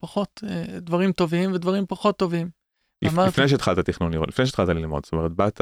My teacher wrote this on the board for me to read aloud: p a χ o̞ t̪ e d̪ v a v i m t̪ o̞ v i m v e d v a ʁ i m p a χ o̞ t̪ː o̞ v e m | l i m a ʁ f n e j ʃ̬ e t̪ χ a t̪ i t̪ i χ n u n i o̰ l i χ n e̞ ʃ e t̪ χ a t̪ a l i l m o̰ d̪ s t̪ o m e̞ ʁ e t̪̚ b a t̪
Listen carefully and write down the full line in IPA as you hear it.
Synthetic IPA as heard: p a χ o̞ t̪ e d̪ v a ʁ i m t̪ o̞ v i m v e d v a ʁ i m p a χ o̞ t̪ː o̞ v i m | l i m a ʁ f n e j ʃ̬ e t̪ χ a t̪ a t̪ i χ n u n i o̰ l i f n e̞ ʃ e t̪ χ a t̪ a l i l m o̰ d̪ s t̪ o m e̞ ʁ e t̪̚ b a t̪